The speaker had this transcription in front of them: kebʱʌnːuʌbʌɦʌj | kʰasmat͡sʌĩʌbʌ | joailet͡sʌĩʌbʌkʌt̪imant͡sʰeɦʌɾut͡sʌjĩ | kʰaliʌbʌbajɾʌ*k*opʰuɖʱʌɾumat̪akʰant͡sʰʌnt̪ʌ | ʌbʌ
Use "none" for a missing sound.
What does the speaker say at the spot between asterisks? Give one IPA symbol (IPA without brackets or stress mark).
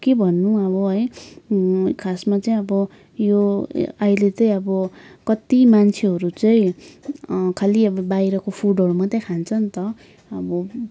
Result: k